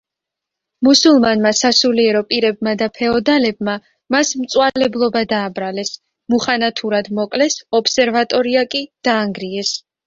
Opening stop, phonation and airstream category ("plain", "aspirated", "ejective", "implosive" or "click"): ejective